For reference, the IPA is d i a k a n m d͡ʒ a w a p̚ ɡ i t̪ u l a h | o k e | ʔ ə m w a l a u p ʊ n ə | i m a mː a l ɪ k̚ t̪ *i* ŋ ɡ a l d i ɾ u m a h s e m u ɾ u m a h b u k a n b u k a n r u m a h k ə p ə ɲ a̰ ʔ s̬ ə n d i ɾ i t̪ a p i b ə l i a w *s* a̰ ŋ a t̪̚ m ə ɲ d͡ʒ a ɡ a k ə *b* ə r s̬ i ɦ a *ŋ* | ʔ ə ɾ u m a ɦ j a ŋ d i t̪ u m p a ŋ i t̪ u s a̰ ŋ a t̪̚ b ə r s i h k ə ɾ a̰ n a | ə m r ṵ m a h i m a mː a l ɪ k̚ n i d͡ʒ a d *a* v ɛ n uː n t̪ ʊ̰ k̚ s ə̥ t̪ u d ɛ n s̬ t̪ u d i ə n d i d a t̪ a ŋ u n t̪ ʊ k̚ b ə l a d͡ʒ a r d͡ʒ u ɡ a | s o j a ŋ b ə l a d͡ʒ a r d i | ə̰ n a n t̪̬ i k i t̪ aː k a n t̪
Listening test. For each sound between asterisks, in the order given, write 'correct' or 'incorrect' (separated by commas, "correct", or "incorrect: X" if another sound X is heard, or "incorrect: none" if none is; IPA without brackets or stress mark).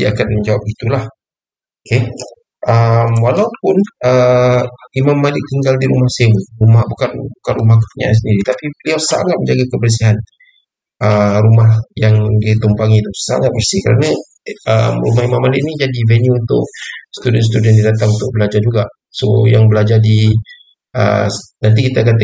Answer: correct, correct, correct, incorrect: n, incorrect: i